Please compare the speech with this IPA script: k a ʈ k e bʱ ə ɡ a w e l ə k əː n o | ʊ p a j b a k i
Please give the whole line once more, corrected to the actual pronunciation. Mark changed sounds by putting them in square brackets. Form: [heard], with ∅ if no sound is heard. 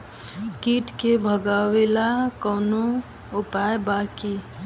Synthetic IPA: k [i] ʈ k e bʱ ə ɡ a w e l [a] k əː n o | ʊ p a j b a k i